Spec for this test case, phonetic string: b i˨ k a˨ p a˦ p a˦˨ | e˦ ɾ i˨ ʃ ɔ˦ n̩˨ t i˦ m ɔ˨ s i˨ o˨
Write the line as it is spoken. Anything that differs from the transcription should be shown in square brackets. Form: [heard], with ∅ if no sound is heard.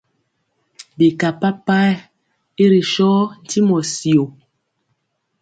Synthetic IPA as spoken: b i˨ k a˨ p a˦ p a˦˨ | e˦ ɾ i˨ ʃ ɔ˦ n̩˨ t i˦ m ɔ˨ s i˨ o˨

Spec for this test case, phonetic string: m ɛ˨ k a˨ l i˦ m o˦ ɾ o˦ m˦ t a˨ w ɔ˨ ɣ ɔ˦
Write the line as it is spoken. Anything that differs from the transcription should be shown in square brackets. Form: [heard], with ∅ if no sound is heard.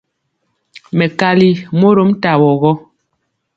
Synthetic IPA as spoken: m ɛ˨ k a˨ l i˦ m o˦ ɾ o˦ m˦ t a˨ w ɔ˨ ɣ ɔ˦

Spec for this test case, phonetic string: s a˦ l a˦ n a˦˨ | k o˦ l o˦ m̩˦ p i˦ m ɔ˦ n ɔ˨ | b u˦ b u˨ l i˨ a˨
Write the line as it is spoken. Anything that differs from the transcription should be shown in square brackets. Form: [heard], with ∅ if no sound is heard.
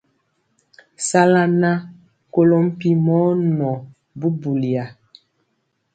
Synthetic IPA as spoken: s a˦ l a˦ n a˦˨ | k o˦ l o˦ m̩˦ p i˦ m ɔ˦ n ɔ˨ | b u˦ b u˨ l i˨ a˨

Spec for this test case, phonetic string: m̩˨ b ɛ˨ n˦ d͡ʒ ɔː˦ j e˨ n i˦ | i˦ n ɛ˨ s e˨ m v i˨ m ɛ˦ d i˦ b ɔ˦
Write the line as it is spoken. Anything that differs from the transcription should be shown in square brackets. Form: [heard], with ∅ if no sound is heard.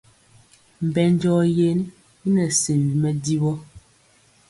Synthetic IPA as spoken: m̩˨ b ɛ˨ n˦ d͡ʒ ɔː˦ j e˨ n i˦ | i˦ n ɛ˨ s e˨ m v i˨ m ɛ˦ d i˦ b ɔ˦

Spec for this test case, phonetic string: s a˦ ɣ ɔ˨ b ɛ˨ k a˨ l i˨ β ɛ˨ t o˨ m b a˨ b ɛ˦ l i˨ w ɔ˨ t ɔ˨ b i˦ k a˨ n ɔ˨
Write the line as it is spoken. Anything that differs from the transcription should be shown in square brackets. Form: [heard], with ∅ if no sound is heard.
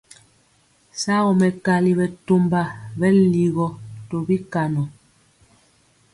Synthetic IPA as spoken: s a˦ ɣ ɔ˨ [m] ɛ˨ k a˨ l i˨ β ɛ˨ t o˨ m b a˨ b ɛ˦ l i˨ [ɣ] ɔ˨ t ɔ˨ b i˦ k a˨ n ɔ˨

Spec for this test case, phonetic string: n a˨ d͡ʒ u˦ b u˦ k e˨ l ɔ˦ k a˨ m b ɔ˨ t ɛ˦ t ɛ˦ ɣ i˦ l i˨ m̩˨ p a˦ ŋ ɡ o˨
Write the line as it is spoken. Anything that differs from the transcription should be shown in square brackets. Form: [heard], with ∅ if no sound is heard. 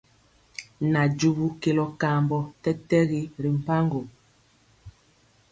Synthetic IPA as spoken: n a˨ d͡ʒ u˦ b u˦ k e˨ l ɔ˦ k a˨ m b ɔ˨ t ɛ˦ t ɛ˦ ɣ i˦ [ɾ] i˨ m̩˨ p a˦ ŋ ɡ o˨

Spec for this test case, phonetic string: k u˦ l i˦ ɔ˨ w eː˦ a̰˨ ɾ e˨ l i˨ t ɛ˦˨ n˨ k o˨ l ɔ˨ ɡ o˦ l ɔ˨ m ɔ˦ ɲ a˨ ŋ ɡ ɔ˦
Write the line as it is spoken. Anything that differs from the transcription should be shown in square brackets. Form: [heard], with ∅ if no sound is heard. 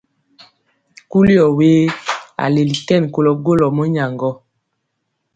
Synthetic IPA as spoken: k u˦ l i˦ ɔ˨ w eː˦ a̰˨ [l] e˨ l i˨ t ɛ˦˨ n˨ k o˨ l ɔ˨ ɡ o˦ l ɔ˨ m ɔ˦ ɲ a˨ ŋ ɡ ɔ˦

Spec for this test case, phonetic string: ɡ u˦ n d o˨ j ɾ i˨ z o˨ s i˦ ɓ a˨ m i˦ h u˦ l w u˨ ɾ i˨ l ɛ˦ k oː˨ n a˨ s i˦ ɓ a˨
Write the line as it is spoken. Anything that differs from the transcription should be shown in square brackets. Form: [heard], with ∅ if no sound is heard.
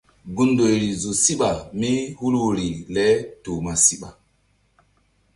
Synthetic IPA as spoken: ɡ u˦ n d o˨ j ɾ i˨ z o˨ s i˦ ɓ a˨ m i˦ h u˦ l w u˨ ɾ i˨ l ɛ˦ [t] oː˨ [m] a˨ s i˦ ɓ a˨

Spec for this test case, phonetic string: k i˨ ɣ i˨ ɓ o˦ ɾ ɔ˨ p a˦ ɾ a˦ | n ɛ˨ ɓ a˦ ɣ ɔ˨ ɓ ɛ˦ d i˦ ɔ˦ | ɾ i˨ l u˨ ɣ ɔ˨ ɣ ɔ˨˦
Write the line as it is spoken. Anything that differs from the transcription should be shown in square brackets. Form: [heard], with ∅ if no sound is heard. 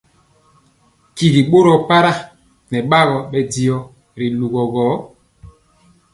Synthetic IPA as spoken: k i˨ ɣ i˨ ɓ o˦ ɾ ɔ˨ p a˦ ɾ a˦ | n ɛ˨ ɓ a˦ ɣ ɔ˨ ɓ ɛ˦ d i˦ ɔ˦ | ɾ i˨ l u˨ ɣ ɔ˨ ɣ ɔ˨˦

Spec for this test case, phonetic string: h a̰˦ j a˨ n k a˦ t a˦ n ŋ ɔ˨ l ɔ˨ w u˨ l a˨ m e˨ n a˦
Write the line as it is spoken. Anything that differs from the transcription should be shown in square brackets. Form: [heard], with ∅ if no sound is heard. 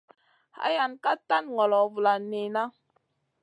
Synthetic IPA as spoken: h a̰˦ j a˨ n k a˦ t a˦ n ŋ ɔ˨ l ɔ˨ [v] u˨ l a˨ [n] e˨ n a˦

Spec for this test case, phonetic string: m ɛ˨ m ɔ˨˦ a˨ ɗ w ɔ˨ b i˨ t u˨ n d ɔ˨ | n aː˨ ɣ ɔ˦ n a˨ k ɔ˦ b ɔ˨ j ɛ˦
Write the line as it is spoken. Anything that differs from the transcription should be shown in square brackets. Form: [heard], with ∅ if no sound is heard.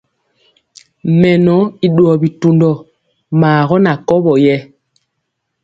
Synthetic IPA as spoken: m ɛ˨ [n] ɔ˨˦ [i˨] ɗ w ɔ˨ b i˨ t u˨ n d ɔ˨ | [m] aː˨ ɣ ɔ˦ n a˨ k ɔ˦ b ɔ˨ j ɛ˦

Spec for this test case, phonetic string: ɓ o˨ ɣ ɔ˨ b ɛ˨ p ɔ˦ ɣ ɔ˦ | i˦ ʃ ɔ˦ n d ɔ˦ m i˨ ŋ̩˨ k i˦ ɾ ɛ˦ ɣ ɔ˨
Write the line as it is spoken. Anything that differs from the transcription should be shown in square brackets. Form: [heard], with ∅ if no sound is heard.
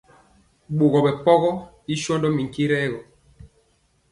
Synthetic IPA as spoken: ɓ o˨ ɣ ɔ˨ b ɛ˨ p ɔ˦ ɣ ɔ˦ | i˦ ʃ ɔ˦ n d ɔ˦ m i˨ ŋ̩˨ k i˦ ɾ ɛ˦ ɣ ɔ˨

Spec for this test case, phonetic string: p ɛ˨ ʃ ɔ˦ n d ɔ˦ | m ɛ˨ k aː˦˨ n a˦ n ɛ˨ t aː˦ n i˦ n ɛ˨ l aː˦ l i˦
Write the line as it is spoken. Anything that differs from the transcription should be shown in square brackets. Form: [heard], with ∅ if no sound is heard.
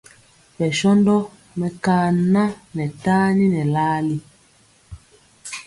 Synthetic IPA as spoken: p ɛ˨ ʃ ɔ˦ n d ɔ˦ | m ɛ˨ k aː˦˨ n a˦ n ɛ˨ t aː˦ n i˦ n ɛ˨ l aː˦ l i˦

